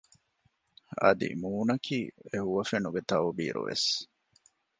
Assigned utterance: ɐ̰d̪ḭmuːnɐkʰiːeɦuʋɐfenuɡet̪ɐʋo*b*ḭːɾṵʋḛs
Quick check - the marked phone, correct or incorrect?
correct